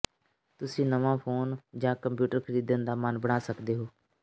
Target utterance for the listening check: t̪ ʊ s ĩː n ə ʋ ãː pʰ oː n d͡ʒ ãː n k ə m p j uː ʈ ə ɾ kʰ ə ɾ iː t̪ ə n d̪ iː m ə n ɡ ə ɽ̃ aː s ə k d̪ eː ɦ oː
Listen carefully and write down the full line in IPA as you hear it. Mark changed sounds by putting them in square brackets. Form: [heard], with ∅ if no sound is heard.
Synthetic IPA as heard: t̪ ʊ s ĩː n ə ʋ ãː pʰ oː n d͡ʒ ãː [∅] k ə m p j uː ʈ ə ɾ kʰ ə ɾ iː [d̪] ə n d̪ [aː] m ə n [b] ə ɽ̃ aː s ə k d̪ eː ɦ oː